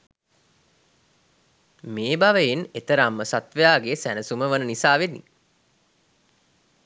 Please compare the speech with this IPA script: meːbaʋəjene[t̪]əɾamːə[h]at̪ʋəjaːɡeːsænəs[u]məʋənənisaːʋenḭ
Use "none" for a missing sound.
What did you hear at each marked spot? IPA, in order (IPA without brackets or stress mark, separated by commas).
t̪, s, u